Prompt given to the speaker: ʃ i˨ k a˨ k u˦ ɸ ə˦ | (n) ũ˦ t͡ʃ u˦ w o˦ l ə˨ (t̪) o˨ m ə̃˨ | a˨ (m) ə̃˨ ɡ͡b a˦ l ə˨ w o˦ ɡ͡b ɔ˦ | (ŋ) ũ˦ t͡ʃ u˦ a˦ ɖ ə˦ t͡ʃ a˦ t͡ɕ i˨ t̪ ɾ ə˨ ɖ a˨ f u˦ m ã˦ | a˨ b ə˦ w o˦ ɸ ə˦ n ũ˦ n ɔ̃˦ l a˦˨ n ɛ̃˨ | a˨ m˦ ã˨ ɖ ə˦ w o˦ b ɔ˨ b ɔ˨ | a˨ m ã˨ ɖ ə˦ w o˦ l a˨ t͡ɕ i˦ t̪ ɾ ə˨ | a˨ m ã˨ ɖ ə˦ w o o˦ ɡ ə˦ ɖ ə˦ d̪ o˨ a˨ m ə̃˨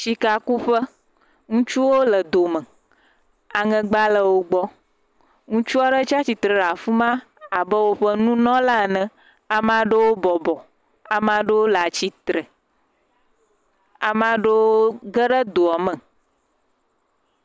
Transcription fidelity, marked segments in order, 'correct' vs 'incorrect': incorrect: ŋ, incorrect: d̪, incorrect: ŋ, correct

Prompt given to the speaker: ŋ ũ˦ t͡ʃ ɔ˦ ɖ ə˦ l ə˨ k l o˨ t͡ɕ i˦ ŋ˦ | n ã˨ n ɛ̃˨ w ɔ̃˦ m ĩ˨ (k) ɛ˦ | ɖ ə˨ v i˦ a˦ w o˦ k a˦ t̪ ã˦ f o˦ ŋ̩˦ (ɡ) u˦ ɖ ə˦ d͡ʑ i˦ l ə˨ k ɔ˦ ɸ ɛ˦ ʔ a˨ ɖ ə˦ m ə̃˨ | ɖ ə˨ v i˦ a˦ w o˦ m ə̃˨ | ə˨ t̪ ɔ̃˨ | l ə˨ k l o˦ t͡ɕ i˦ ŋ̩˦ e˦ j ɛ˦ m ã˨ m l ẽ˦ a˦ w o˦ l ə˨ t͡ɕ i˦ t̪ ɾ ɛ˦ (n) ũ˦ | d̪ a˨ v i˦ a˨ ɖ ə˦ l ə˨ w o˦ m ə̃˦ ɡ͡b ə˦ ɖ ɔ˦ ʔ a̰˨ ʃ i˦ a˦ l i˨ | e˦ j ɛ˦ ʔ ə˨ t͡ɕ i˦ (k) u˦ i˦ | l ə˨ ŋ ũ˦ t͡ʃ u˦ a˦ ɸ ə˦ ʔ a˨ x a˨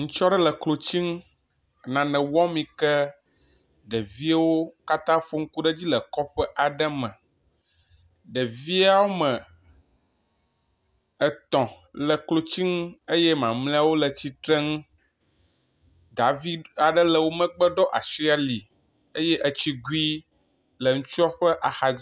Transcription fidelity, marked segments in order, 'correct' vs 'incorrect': correct, incorrect: k, incorrect: ŋ, incorrect: ɡ

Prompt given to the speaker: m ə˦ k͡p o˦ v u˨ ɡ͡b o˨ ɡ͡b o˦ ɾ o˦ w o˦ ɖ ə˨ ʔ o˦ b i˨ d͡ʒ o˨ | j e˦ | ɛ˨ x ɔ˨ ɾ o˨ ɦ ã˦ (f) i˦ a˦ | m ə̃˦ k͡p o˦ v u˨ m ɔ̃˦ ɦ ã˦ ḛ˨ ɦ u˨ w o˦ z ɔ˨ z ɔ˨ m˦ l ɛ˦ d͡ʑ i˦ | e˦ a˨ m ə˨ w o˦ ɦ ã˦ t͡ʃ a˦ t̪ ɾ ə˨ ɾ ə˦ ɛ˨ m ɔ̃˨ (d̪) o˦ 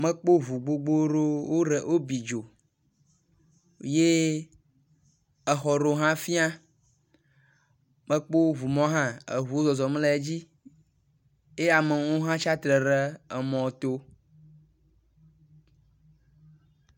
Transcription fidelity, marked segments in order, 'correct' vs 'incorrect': correct, incorrect: t̪

